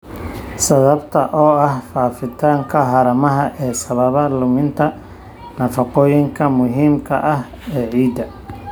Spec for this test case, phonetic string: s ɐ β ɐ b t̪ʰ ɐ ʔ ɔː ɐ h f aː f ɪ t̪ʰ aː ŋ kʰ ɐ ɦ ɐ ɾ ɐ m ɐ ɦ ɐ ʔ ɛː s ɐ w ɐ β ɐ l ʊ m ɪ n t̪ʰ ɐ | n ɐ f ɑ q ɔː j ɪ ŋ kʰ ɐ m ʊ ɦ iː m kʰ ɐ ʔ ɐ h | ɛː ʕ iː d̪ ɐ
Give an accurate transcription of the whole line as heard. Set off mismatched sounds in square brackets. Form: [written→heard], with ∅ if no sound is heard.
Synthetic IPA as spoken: s ɐ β ɐ b t̪ʰ ɐ ʔ ɔː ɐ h f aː f ɪ t̪ʰ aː ŋ kʰ ɐ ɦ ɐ ɾ ɐ m ɐ ɦ ɐ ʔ ɛː s ɐ [w→β] ɐ β ɐ l ʊ m ɪ n t̪ʰ ɐ | n ɐ f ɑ q ɔː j ɪ ŋ kʰ ɐ m ʊ ɦ iː m kʰ ɐ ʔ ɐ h | ɛː ʕ iː d̪ ɐ